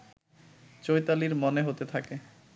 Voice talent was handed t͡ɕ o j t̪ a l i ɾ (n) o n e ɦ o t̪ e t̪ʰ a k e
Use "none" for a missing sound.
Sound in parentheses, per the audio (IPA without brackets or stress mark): m